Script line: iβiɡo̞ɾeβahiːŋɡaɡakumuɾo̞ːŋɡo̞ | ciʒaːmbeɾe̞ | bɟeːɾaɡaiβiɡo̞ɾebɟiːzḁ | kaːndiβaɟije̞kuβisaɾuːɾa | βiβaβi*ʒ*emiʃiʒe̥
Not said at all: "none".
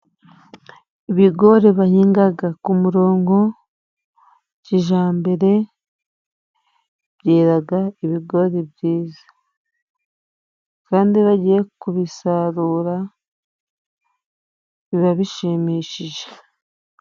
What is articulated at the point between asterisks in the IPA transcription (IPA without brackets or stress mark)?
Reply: ʃ